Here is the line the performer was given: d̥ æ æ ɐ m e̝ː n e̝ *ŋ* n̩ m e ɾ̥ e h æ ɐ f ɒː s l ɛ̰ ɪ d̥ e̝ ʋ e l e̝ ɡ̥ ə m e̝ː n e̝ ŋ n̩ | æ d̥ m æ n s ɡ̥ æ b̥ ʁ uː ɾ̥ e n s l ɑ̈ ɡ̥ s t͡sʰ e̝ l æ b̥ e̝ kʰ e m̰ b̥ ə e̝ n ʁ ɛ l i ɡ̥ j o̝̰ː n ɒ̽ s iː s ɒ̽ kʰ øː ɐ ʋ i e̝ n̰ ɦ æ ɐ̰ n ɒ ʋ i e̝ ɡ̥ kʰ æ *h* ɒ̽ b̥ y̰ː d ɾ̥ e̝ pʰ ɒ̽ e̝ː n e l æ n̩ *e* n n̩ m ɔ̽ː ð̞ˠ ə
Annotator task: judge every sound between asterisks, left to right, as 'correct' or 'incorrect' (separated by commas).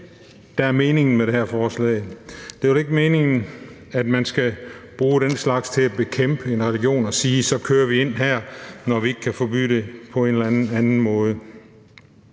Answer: correct, incorrect, incorrect